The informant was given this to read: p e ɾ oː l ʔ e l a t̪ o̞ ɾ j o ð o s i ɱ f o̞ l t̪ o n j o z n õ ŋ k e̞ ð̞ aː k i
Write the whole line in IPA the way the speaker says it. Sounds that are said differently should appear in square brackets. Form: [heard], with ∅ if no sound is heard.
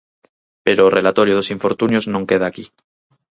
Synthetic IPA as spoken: p e ɾ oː [r] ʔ e l a t̪ o̞ ɾ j o ð o s i ɱ f o̞ [ɾ] t̪ [u] n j o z n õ ŋ k e̞ ð̞ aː k i